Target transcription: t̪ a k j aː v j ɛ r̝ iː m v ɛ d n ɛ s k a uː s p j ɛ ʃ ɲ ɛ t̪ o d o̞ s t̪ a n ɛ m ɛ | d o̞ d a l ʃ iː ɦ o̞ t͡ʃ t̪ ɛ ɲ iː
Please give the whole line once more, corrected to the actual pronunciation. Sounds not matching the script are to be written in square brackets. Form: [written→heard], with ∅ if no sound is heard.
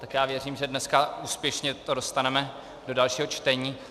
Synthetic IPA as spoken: t̪ a k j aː v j ɛ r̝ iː m [v→ʒ] ɛ d n ɛ s k a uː s p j ɛ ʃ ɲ ɛ t̪ o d o̞ s t̪ a n ɛ m ɛ | d o̞ d a l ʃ iː ɦ o̞ t͡ʃ t̪ ɛ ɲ iː